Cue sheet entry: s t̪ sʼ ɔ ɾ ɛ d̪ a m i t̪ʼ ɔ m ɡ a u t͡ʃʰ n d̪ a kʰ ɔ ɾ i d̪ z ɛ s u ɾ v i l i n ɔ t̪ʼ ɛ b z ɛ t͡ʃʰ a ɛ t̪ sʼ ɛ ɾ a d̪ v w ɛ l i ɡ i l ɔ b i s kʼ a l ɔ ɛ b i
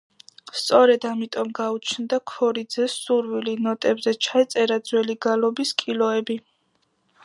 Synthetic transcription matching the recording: s t̪ sʼ ɔ ɾ ɛ d̪ a m i t̪ʼ ɔ m ɡ a u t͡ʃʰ n d̪ a kʰ ɔ ɾ i d̪ z ɛ s u ɾ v i l i n ɔ t̪ʼ ɛ b z ɛ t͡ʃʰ a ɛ t̪ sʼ ɛ ɾ a d̪ z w ɛ l i ɡ a l ɔ b i s kʼ i l ɔ ɛ b i